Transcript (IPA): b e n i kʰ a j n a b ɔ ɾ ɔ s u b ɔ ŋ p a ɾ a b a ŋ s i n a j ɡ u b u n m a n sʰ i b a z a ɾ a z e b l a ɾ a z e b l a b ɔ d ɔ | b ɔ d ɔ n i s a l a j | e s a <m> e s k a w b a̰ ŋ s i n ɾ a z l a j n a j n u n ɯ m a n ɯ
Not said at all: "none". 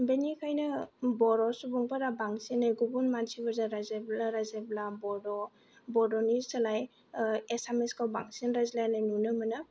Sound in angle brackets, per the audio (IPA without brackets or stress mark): m